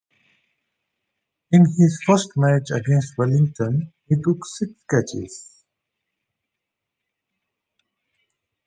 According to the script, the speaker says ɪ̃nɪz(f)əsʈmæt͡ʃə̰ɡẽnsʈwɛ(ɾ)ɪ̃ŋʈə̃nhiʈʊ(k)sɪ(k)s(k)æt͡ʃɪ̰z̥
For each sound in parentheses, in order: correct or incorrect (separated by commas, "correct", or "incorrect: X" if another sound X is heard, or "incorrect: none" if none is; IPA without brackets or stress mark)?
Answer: correct, incorrect: l, correct, correct, correct